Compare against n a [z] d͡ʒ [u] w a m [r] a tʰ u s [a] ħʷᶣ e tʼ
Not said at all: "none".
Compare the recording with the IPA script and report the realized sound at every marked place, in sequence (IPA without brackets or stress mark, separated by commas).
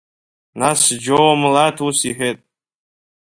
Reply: s, o, l, i